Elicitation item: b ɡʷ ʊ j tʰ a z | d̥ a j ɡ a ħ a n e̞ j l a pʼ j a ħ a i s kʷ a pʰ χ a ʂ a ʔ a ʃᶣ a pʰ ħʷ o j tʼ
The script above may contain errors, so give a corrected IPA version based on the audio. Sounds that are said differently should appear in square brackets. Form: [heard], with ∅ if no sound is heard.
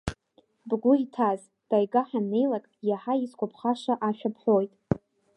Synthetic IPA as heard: b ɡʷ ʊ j tʰ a z | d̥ a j ɡ a ħ a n e̞ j l a [kʼ] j a ħ a i s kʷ a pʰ χ a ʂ a ʔ a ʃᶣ a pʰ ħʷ o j tʼ